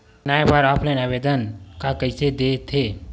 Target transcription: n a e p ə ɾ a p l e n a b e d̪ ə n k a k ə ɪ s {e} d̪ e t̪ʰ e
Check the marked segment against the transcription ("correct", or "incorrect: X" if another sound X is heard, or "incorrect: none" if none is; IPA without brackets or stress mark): correct